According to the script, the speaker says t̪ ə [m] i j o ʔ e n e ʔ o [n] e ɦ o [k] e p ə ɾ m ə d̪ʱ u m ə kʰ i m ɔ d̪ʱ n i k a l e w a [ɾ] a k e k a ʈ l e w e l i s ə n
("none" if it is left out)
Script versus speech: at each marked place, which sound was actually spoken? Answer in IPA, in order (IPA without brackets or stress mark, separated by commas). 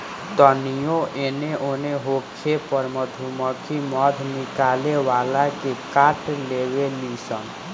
n, n, kʰ, l